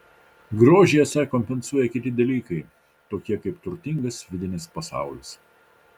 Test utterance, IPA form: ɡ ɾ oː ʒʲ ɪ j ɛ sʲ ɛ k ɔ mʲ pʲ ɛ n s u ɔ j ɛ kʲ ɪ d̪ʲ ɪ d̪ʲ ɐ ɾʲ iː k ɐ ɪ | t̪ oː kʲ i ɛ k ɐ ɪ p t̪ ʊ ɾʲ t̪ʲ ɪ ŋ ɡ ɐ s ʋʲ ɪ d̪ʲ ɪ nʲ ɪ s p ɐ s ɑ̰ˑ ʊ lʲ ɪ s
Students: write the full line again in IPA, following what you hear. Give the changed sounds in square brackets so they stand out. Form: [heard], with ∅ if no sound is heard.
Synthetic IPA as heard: ɡ ɾ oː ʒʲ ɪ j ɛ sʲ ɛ k ɔ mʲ pʲ ɛ n s u ɔ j ɛ kʲ ɪ [t̪ʲ] ɪ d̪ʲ ɐ [lʲ] iː k ɐ ɪ | t̪ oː kʲ i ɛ k ɐ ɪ p t̪ ʊ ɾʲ t̪ʲ ɪ ŋ ɡ ɐ s ʋʲ ɪ d̪ʲ ɪ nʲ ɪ s p ɐ s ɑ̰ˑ ʊ lʲ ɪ s

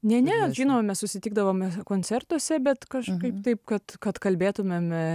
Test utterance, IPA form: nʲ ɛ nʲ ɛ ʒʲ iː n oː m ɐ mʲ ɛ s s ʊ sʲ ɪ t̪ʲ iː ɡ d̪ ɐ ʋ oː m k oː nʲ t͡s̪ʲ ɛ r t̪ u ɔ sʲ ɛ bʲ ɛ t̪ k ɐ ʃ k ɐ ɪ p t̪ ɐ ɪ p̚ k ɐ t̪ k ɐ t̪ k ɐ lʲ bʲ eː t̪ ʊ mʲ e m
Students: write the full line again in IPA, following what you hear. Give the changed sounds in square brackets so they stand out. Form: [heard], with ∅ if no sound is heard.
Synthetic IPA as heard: nʲ ɛ nʲ ɛ ʒʲ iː n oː m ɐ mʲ ɛ s s ʊ sʲ ɪ t̪ʲ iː ɡ d̪ ɐ ʋ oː m k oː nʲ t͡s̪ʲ ɛ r t̪ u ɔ sʲ ɛ bʲ ɛ t̪ k ɐ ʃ k ɐ ɪ p t̪ ɐ ɪ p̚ k ɐ t̪ k ɐ t̪ k ɐ lʲ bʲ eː t̪ ʊ mʲ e m

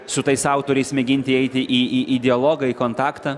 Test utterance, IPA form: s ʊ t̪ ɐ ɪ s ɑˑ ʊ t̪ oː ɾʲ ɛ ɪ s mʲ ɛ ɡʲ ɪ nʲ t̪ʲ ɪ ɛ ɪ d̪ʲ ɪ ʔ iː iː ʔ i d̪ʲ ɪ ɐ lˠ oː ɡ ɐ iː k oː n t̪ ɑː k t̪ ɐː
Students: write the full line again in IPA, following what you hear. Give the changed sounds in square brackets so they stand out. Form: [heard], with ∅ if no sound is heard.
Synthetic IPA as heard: s ʊ t̪ ɐ ɪ s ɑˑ ʊ t̪ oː ɾʲ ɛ ɪ s mʲ ɛ ɡʲ ɪ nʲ t̪ʲ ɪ ɛ ɪ [t̪ʲ] ɪ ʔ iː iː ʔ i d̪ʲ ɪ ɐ lˠ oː ɡ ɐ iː k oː n t̪ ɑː k t̪ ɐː

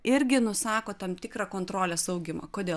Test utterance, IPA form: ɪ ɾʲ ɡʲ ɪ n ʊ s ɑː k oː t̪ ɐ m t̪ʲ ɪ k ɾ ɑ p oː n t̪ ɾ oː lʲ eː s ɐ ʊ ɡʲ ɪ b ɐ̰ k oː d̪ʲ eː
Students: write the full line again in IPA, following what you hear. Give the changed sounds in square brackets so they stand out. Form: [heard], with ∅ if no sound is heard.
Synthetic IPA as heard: ɪ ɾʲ ɡʲ ɪ n ʊ s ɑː k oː t̪ ɐ m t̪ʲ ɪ k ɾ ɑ [k] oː n t̪ ɾ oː lʲ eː s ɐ ʊ ɡʲ ɪ [m] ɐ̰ k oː d̪ʲ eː

